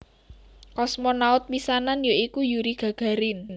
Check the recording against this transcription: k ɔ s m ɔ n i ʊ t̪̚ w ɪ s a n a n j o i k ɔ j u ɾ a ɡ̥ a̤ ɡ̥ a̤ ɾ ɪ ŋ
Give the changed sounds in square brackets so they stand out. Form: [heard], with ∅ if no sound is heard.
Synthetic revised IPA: k ɔ s m ɔ n [a] ʊ t̪̚ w [i] s a n a n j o i k [u] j u ɾ [i] ɡ̥ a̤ ɡ̥ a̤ ɾ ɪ [n]